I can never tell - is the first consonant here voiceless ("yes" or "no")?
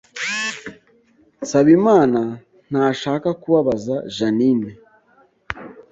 yes